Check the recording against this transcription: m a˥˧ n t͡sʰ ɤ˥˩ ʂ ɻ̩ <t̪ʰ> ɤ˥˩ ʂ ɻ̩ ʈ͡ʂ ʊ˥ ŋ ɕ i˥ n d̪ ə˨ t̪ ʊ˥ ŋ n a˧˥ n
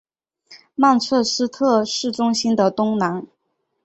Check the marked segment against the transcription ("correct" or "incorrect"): correct